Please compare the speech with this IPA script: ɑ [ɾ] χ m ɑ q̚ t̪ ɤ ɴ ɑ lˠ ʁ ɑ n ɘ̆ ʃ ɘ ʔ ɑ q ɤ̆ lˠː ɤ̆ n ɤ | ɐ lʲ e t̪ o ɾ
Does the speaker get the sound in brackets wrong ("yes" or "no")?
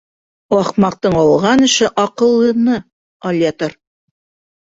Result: yes